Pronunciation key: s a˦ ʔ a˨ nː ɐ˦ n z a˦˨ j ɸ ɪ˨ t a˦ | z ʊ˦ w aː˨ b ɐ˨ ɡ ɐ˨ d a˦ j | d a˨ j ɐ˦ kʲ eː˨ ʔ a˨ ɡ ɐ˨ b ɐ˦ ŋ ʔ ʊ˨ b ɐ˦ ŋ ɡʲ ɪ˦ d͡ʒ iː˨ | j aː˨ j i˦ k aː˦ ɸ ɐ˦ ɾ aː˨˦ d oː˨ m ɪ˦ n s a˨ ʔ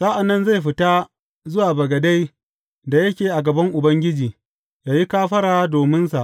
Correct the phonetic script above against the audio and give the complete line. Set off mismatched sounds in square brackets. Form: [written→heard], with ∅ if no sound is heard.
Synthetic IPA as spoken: s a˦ ʔ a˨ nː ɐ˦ n z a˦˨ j ɸ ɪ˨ t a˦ | z ʊ˦ w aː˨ b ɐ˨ ɡ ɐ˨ d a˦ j | d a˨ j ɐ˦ kʲ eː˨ ʔ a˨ ɡ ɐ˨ b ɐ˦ ŋ ʔ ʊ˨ b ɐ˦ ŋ ɡʲ ɪ˦ d͡ʒ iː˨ | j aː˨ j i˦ k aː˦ ɸ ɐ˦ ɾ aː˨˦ d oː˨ m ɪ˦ n s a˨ ʔ